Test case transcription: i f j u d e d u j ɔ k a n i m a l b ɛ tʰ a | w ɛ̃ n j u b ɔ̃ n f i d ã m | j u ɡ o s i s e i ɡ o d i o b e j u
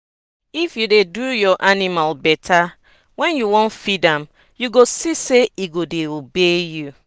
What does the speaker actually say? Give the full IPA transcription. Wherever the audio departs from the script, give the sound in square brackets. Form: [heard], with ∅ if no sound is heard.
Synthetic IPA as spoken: i f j u d e d u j ɔ [ʔ] a n i m a l b ɛ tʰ a | w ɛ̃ n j u [w] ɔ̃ n f i d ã m | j u ɡ o s i s e i ɡ o d [e] o b e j u